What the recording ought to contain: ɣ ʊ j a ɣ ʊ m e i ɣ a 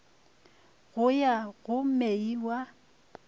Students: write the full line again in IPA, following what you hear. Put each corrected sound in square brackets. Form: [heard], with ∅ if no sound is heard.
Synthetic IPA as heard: ɣ ʊ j a ɣ ʊ m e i [w] a